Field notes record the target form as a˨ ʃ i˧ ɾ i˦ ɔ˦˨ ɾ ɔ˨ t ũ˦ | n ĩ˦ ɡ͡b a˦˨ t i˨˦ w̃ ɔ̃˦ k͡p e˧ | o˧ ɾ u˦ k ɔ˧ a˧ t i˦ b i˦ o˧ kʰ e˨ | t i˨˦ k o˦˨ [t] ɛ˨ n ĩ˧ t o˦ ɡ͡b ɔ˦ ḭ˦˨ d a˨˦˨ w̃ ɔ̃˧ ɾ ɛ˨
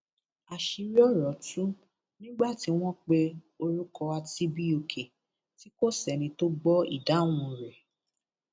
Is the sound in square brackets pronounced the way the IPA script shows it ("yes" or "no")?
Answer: no